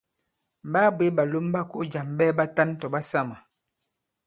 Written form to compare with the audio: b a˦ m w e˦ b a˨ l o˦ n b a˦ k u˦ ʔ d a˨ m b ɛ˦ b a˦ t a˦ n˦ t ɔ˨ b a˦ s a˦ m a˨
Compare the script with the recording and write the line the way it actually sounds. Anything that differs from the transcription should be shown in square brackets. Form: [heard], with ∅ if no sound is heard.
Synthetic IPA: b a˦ [b] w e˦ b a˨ l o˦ [m] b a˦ k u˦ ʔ [d͡ʒ] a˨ m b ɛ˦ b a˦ t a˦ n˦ t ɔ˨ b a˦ s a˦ m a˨